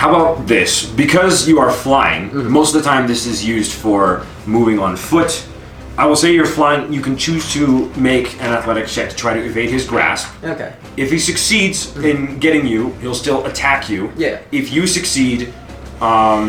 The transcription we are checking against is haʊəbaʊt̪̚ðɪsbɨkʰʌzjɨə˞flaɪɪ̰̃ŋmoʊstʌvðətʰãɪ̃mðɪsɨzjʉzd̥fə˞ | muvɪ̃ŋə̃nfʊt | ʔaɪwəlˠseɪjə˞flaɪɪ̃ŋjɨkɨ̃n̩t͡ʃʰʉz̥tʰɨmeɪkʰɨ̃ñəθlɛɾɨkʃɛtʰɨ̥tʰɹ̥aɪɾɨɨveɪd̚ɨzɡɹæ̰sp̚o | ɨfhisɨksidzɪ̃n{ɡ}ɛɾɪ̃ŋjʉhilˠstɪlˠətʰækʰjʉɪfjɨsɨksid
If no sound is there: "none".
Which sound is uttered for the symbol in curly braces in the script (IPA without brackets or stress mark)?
ɡ